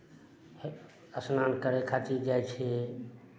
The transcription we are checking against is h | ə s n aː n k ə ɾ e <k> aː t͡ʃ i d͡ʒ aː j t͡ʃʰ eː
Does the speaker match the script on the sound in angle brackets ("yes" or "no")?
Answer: no